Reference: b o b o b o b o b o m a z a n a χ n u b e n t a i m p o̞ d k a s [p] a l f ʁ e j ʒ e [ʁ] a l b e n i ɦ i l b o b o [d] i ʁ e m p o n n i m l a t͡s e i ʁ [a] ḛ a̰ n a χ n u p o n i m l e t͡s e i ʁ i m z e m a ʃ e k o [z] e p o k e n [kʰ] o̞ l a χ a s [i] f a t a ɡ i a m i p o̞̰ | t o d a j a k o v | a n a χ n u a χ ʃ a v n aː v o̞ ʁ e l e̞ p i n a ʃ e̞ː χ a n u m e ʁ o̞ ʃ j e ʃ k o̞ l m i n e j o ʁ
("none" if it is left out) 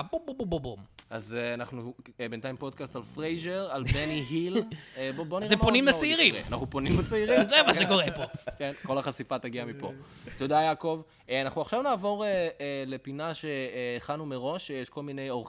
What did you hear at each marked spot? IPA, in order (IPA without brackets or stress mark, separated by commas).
t, ʁ, n, i, ʁ, k, i